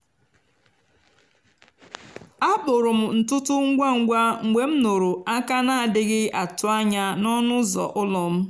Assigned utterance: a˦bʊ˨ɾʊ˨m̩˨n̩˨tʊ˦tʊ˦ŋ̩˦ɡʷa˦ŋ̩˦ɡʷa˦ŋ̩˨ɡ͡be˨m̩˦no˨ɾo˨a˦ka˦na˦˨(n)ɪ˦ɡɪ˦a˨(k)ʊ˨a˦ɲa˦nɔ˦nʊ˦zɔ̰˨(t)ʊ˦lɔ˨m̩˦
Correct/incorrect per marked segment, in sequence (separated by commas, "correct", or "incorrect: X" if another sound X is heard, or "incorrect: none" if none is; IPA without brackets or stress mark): incorrect: d, incorrect: t, incorrect: ʔ